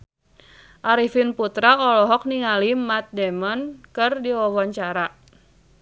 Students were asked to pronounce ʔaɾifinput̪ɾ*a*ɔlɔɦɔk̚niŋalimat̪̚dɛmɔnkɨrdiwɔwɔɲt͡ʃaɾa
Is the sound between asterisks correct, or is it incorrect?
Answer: correct